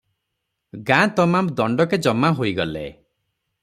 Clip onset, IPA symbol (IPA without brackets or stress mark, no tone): ɡ